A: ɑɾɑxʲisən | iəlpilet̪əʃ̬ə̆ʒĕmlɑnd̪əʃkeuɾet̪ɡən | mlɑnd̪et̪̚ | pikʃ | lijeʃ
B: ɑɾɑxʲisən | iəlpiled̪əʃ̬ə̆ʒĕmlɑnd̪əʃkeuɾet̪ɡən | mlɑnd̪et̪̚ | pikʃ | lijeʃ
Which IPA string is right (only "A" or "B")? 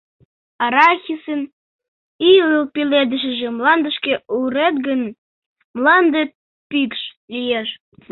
B